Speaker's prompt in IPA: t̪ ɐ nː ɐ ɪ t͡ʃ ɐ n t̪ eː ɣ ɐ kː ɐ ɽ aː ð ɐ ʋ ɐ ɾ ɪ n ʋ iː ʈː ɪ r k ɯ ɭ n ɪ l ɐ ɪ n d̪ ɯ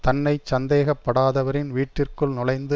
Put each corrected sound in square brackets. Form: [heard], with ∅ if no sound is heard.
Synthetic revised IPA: t̪ ɐ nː ɐ ɪ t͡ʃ ɐ n [d̪] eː ɣ ɐ [pː] ɐ ɽ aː ð ɐ ʋ ɐ ɾ ɪ n ʋ iː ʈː ɪ r k ɯ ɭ n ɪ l ɐ ɪ n d̪ ɯ